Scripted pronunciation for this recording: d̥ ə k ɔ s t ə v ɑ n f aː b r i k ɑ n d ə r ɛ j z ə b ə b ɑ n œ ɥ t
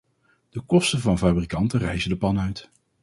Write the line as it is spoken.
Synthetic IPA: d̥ ə k ɔ s t ə v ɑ n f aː b r i k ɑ n t ə r ɛ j z ə d ə p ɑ n œ ɥ t